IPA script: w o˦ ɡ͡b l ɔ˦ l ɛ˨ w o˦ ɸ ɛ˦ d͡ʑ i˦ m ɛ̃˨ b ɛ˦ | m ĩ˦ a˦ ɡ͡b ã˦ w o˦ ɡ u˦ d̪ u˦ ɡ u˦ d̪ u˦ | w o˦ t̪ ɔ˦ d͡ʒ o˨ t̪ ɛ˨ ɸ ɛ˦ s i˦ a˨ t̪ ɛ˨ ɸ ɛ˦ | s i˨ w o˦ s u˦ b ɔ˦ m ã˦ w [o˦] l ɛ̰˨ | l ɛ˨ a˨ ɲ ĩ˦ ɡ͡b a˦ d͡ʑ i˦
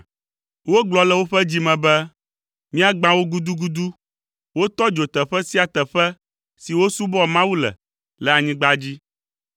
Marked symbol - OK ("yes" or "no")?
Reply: no